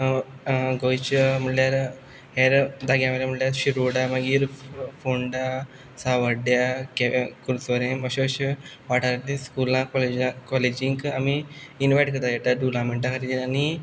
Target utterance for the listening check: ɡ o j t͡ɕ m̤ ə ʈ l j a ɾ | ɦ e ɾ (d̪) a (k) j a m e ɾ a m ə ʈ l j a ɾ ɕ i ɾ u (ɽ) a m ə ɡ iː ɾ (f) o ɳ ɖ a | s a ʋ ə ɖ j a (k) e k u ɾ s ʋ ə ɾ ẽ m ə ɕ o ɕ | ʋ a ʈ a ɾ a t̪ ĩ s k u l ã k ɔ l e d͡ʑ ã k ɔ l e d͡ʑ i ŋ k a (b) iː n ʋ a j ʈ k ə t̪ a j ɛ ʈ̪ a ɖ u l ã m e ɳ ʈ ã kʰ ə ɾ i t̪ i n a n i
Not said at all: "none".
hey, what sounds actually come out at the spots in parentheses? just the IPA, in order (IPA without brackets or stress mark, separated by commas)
d̪, ɡ, ɽ, f, k, m